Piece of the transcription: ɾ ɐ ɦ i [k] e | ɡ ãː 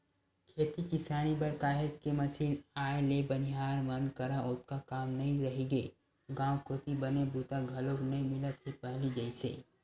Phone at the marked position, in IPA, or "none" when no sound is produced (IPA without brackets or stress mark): ɡ